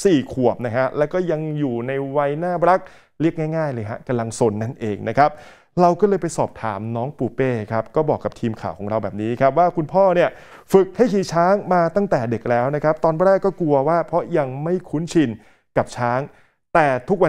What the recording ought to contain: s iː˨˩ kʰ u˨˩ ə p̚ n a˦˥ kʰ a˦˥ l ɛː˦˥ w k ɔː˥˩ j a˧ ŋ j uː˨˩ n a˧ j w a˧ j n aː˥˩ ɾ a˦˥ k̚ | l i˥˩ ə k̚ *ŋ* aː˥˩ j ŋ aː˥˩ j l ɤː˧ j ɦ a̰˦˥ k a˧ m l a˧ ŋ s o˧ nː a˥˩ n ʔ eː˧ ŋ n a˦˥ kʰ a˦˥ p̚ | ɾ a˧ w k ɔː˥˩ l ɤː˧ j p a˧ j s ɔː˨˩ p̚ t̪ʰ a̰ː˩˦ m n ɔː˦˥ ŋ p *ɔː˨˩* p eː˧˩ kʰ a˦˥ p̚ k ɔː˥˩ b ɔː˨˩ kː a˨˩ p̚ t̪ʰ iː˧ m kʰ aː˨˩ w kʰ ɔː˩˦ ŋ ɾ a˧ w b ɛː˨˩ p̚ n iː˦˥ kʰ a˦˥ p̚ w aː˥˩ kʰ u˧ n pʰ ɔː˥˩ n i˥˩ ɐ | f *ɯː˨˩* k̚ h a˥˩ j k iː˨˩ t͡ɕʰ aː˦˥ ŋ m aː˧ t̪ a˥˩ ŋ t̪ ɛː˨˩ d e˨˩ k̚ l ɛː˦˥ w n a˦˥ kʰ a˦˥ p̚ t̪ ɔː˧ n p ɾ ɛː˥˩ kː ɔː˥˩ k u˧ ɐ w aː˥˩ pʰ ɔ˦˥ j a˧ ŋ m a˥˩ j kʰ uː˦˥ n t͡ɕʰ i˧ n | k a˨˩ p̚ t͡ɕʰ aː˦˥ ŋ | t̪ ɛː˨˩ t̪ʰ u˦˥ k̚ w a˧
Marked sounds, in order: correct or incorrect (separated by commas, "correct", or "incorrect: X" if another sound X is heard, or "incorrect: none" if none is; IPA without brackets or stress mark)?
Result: correct, incorrect: uː˨˩, incorrect: ɯ˨˩